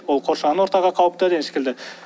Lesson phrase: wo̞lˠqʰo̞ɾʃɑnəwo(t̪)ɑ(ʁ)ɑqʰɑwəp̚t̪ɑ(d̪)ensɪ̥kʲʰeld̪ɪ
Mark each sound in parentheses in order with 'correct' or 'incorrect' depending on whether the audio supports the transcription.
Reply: correct, correct, correct

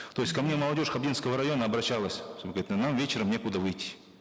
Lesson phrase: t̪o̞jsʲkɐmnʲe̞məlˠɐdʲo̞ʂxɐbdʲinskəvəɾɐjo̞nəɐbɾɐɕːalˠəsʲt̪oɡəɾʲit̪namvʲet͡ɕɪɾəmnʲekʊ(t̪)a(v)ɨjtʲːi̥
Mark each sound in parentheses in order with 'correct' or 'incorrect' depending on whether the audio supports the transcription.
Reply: incorrect: d̪, correct

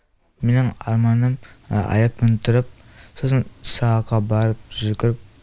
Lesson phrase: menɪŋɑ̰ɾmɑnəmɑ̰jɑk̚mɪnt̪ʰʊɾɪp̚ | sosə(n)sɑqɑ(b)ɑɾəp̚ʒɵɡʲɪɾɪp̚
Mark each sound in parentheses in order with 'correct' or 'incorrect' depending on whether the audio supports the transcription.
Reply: correct, correct

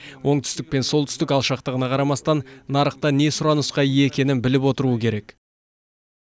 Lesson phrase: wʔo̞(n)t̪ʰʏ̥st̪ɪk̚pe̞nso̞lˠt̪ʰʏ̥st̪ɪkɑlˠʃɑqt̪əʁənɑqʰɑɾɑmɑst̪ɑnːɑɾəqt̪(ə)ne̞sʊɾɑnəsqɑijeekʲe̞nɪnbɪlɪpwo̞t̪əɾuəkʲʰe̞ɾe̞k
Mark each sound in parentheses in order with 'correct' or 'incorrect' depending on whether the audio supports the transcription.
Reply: incorrect: ɴ, incorrect: ɑ

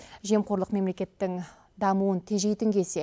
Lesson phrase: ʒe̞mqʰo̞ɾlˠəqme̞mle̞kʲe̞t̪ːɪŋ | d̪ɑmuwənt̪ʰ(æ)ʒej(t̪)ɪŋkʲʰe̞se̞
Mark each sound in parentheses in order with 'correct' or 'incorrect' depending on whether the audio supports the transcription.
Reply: incorrect: e, correct

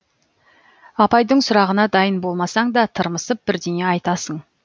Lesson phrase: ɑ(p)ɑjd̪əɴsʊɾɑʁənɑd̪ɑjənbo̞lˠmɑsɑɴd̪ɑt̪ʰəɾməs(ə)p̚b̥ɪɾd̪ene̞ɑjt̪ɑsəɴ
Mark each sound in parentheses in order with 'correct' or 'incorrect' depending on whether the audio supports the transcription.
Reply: correct, correct

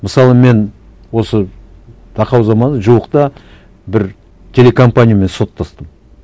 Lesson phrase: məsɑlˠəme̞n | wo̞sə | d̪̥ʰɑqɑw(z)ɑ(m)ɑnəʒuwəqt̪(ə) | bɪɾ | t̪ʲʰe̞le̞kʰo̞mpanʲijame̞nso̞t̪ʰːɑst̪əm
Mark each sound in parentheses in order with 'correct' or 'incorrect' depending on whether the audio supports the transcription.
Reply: correct, correct, incorrect: ɑ

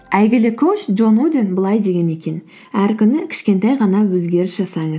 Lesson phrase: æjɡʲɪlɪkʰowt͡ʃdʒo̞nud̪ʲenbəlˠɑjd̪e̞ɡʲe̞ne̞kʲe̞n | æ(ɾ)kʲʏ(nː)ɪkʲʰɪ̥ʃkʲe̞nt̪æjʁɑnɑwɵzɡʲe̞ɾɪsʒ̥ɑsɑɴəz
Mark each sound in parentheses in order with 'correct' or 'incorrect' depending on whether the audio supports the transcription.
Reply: correct, incorrect: n

